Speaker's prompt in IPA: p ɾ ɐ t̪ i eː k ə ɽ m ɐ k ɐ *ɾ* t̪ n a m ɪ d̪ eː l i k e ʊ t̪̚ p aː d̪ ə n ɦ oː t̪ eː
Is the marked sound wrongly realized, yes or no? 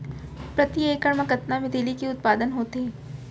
yes